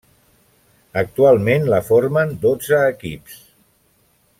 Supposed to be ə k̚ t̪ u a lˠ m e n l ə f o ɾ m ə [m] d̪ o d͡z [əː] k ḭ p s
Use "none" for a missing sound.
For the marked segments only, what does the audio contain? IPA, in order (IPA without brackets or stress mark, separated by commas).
n, əː